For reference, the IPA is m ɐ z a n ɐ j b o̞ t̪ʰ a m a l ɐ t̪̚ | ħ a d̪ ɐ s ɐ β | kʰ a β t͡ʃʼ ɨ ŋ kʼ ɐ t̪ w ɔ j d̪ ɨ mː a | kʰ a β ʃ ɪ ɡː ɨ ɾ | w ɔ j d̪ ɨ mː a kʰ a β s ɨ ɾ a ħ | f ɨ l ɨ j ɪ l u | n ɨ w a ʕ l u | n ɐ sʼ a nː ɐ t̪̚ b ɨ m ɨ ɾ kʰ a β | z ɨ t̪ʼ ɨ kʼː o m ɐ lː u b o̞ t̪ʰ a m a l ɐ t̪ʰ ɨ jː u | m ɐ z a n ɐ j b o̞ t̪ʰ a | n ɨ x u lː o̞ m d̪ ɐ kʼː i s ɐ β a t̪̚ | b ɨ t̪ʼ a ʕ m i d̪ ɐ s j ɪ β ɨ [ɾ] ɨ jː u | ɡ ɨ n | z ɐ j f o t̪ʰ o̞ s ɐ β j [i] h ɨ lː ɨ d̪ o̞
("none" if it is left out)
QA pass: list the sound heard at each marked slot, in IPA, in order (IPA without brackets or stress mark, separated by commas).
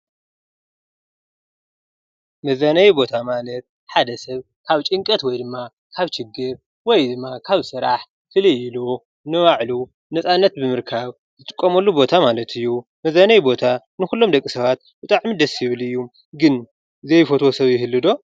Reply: l, ɪ